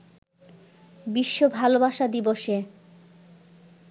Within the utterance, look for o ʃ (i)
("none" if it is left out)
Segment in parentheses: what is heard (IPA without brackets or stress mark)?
e